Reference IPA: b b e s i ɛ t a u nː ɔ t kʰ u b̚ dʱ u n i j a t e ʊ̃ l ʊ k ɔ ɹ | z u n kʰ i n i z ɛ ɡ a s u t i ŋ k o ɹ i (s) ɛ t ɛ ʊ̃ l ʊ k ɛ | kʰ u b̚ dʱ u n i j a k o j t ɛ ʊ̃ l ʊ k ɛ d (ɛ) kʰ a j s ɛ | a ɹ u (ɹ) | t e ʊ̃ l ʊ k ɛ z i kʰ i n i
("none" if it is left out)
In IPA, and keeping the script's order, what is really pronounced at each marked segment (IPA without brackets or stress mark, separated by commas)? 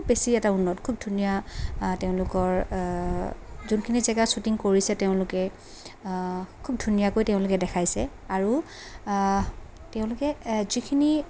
s, ɛ, none